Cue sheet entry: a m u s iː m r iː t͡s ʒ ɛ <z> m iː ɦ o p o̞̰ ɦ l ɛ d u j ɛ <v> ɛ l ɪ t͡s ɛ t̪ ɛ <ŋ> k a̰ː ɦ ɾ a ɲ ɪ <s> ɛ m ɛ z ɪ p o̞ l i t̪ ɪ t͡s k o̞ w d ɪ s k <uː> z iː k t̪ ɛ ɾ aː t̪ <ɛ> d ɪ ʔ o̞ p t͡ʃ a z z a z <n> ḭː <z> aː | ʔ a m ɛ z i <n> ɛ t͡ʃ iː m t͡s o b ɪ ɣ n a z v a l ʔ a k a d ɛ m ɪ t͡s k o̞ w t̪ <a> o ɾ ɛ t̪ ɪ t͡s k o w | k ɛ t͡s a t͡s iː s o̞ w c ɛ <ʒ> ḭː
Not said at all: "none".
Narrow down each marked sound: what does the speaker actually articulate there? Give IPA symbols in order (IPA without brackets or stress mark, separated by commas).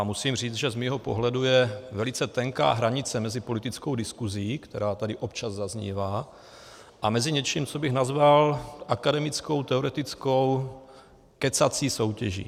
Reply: z, v, ŋ, t͡s, u, a, ɲ, v, ɲ, ɛ, ʒ